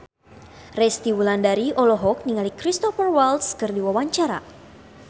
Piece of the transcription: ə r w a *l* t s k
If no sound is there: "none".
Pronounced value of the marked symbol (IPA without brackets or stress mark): l